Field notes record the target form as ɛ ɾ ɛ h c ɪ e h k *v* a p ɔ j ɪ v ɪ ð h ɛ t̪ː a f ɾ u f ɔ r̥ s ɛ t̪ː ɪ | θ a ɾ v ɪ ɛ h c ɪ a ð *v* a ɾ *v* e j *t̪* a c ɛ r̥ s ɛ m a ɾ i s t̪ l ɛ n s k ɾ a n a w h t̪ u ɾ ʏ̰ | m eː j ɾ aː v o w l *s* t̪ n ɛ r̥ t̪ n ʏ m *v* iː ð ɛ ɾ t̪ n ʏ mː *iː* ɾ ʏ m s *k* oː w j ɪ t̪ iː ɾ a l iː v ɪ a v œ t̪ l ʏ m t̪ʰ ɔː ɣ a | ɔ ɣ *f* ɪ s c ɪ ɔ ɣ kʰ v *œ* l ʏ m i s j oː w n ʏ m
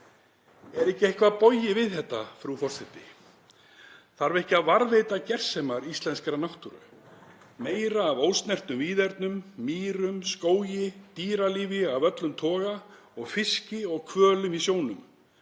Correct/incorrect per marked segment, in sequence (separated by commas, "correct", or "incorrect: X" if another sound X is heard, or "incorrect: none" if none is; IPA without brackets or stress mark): correct, correct, correct, correct, correct, correct, correct, correct, correct, incorrect: œː